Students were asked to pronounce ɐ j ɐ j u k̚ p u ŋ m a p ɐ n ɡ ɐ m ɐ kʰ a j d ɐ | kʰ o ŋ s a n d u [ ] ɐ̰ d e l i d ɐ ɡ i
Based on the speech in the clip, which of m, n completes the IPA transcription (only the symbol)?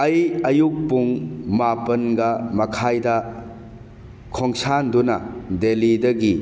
n